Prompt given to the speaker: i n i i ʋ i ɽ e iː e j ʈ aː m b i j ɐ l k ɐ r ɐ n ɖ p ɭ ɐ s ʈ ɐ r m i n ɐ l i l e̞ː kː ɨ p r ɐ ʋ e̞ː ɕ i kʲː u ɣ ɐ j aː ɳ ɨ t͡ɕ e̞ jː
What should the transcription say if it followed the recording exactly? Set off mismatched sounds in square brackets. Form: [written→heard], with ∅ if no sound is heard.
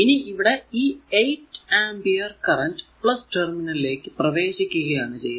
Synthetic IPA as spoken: i n i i ʋ i ɽ e iː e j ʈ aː m b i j ɐ [l→r] k ɐ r ɐ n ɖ p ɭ ɐ s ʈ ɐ r m i n ɐ l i l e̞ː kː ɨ p r ɐ ʋ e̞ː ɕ i kʲː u ɣ ɐ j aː ɳ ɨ t͡ɕ e̞ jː